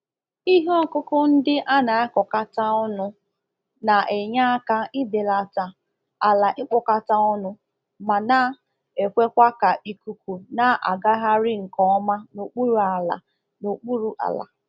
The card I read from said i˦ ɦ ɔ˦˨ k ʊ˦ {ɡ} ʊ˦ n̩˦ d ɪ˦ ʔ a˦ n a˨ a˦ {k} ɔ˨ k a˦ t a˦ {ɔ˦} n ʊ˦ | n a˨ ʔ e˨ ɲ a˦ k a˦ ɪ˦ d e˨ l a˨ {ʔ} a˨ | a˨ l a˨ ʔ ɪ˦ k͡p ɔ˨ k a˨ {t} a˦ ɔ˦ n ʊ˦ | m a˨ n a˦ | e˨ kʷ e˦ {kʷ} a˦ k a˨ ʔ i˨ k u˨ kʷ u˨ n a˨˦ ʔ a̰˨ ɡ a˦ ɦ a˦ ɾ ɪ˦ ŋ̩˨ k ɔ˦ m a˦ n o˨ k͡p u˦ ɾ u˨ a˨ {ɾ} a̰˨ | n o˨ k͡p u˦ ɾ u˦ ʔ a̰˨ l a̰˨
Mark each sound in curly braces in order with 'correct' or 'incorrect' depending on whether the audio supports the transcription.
incorrect: k, correct, correct, incorrect: t, correct, correct, incorrect: l

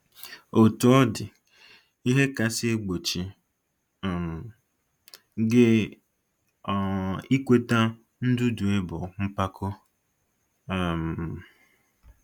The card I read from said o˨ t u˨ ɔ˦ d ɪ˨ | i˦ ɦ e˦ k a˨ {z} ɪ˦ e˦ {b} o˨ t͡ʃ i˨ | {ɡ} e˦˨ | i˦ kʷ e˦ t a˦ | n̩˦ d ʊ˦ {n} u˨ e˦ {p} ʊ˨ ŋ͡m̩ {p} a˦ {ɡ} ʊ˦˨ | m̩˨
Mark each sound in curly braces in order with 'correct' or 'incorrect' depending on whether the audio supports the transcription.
incorrect: s, incorrect: ɡ͡b, correct, incorrect: d, incorrect: b, correct, incorrect: k

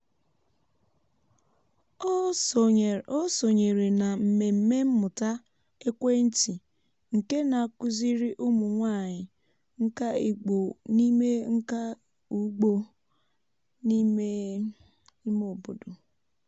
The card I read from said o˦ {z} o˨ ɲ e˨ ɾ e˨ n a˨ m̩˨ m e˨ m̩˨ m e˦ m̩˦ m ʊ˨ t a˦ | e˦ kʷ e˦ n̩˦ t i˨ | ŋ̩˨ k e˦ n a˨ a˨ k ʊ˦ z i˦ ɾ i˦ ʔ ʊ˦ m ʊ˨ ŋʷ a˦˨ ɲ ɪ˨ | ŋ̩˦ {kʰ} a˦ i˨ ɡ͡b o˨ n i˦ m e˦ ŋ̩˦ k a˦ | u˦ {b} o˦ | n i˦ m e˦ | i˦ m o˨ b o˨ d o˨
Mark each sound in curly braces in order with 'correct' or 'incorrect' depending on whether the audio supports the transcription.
incorrect: s, incorrect: k, incorrect: ɡ͡b

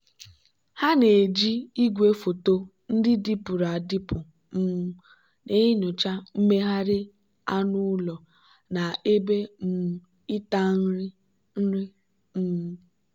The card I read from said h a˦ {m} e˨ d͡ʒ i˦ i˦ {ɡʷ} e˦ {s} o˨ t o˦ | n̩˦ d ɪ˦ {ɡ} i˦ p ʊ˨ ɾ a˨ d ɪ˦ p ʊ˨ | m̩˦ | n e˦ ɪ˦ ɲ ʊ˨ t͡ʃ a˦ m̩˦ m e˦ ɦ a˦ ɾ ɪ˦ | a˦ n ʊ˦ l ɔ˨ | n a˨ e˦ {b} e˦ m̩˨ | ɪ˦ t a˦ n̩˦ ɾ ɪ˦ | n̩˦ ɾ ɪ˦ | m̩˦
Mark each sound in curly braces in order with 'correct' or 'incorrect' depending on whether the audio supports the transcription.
incorrect: n, correct, incorrect: f, incorrect: d, correct

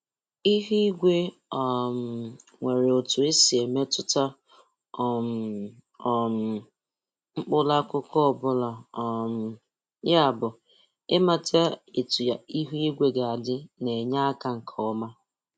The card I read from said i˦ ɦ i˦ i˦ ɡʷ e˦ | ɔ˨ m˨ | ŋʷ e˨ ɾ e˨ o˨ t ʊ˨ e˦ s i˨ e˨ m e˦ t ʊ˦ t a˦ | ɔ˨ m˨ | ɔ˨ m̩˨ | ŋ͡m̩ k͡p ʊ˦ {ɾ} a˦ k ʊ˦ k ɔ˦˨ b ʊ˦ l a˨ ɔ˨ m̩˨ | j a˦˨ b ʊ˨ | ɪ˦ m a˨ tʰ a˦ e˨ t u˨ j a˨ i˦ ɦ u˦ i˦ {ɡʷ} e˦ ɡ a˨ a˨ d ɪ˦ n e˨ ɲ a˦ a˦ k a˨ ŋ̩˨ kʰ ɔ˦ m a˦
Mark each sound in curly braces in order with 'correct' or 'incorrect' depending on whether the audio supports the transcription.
incorrect: l, correct

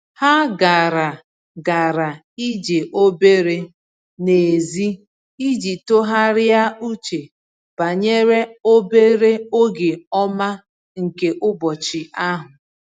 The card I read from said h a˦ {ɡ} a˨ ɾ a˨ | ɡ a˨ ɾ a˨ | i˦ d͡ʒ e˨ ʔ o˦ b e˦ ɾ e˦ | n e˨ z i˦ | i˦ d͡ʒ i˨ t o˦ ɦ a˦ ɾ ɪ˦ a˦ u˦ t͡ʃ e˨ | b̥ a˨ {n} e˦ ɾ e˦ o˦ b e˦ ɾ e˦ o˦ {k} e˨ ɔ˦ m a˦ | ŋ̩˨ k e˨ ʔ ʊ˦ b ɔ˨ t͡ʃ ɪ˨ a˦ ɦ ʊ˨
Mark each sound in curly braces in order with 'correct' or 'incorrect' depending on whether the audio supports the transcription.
correct, incorrect: ɲ, incorrect: ɡ

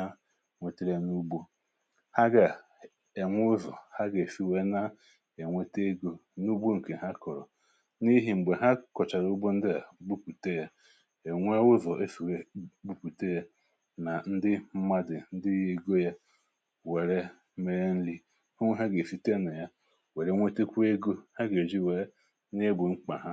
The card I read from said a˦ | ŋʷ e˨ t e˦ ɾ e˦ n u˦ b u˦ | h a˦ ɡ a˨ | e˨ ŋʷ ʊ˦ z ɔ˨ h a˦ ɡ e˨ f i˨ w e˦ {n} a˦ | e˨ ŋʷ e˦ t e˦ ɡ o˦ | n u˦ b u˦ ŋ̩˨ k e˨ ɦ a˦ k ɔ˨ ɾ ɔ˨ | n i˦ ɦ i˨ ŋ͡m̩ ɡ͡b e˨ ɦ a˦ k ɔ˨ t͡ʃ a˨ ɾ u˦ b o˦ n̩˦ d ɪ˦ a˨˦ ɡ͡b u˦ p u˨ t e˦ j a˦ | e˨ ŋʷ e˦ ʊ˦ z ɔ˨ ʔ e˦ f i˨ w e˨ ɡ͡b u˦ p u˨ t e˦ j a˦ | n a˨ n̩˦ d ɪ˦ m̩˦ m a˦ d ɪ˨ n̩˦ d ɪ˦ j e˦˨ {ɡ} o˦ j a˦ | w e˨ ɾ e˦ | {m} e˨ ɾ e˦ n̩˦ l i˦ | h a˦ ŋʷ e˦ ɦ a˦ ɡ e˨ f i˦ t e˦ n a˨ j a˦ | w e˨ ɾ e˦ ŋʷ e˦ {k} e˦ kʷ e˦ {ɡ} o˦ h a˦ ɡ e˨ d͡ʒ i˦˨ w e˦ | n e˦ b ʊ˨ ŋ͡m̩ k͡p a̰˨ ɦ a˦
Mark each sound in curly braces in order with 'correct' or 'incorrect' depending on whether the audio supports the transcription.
correct, correct, correct, incorrect: t, correct

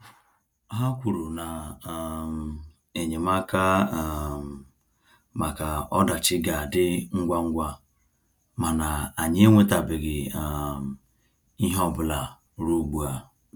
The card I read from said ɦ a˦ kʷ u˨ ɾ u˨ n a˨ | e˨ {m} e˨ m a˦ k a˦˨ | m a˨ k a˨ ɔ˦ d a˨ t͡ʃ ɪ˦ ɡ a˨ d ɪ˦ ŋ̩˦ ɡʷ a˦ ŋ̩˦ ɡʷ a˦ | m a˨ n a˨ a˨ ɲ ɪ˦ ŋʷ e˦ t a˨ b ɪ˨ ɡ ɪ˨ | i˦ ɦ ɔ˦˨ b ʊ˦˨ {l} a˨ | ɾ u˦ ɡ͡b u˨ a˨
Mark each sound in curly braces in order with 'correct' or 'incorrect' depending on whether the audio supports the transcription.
incorrect: ɲ, correct

